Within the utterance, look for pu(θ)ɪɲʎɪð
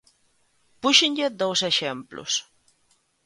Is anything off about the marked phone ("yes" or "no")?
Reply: yes